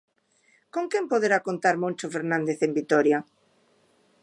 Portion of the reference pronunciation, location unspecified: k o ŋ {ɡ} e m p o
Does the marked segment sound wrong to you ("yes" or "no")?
yes